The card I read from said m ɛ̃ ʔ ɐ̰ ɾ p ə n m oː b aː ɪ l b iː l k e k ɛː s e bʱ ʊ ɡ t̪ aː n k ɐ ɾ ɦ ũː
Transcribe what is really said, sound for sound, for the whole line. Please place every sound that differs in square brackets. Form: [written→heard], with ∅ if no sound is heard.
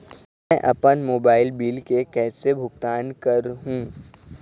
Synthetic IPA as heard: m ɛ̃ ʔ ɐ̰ [ɾ→∅] p ə n m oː b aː ɪ l b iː l k e k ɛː s e bʱ ʊ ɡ t̪ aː n k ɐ ɾ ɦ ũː